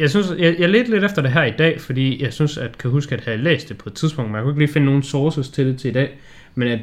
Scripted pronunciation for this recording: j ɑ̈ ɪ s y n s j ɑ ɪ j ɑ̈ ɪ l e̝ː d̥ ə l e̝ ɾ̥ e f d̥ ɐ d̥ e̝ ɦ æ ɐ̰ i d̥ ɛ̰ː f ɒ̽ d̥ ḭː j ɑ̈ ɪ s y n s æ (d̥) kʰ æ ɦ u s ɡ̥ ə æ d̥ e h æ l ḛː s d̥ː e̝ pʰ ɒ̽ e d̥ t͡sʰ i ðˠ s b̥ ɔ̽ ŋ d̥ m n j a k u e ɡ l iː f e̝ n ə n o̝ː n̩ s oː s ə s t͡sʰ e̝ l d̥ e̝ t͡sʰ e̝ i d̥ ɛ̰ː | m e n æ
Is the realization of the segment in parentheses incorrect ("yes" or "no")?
no